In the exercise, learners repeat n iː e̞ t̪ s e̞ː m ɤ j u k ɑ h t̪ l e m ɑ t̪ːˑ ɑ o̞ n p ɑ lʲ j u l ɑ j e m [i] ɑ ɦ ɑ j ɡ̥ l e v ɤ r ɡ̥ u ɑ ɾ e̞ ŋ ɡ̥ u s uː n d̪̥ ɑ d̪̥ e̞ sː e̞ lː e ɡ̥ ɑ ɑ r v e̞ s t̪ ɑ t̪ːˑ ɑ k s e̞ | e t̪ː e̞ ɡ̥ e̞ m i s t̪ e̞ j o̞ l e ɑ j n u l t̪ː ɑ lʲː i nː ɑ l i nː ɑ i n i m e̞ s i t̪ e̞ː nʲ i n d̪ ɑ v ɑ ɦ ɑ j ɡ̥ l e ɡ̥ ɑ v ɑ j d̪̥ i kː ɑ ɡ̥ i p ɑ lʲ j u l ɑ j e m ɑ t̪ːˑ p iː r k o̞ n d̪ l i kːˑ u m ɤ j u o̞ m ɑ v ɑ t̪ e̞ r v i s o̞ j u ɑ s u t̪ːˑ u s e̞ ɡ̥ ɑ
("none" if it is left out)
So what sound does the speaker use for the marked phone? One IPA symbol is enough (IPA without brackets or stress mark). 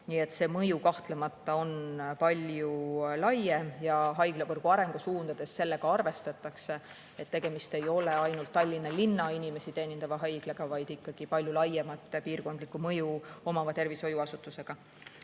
j